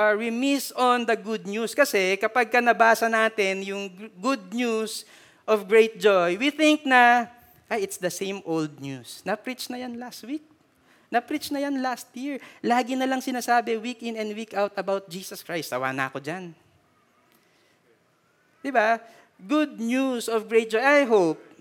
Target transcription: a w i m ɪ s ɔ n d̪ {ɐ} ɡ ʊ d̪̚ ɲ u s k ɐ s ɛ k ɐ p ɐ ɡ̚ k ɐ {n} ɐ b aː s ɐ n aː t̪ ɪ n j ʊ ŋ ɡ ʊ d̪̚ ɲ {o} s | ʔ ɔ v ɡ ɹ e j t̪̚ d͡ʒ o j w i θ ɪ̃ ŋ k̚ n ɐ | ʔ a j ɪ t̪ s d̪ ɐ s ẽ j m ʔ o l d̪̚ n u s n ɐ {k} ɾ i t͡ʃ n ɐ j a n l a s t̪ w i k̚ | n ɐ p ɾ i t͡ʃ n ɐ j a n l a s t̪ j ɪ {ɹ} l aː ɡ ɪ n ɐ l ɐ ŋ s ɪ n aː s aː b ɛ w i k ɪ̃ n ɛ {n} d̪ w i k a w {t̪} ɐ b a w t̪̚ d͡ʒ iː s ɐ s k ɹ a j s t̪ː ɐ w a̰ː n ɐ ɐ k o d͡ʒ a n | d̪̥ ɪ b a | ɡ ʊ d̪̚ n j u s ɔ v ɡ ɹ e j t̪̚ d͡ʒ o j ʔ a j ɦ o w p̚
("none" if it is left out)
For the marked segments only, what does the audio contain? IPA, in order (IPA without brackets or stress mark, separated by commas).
ɐ, n, u, p, ɹ, n, t̪